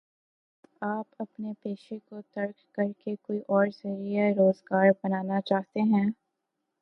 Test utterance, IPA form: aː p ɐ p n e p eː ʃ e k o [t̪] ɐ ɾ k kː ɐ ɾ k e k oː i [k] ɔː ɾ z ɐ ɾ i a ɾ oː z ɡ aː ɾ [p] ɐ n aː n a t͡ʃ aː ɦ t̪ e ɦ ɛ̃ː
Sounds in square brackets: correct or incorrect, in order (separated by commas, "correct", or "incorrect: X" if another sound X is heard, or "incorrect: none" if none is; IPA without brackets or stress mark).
correct, incorrect: ʔ, incorrect: b